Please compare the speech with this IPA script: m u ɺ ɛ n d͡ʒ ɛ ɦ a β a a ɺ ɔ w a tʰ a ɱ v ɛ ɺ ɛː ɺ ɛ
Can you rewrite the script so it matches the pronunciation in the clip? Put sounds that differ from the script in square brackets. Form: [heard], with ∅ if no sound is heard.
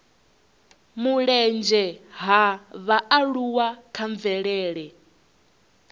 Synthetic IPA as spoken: m u ɺ ɛ n d͡ʒ ɛ ɦ a β a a ɺ [u] w a [kʰ] a ɱ v ɛ ɺ ɛː ɺ ɛ